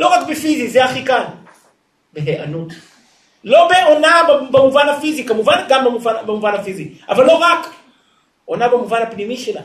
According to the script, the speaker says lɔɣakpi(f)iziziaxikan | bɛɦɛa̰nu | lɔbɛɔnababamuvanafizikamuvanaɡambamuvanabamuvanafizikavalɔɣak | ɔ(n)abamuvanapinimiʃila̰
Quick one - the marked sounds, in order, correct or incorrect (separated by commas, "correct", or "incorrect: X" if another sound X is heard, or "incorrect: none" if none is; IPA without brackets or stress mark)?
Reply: correct, correct